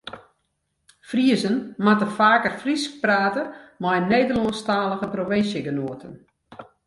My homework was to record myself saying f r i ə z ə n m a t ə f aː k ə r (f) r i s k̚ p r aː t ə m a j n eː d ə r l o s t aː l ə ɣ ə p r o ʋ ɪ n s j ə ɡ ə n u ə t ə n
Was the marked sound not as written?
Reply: no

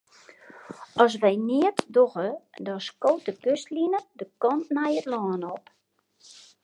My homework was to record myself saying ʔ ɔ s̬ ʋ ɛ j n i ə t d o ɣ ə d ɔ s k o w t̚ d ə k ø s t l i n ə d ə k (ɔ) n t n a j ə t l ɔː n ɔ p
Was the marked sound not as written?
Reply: no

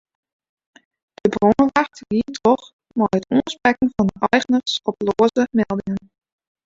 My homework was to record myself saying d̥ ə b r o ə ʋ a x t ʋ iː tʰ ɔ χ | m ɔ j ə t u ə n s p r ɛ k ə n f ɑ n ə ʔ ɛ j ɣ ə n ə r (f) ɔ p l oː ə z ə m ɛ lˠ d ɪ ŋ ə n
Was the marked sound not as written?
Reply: yes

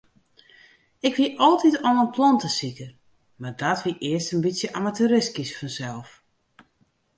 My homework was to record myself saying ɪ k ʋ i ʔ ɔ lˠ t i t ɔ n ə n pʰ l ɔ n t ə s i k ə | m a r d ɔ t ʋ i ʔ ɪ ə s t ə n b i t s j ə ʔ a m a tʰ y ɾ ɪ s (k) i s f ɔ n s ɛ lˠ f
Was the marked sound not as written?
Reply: no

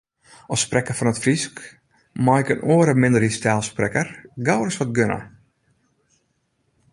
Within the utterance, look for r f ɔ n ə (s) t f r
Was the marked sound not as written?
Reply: yes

